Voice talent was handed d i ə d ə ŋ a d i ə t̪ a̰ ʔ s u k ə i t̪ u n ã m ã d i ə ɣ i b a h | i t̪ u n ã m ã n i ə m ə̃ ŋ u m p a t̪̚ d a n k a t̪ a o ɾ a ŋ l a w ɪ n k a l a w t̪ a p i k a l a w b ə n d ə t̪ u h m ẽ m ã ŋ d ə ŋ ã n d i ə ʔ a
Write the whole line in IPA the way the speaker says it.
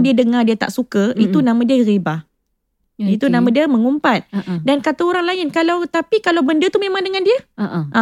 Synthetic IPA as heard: d i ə d ə ŋ a d i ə t̪ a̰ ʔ s u k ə i t̪ u n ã m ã d i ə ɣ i b a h | i t̪ u n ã m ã d i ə m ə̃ ŋ u m p a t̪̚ d a n k a t̪ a o ɾ a ŋ l a ɪ n k a l a w t̪ a p i k a l a w b ə n d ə t̪ u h m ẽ m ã ŋ d ə ŋ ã n d i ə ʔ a